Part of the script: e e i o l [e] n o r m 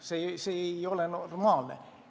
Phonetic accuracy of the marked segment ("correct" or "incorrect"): correct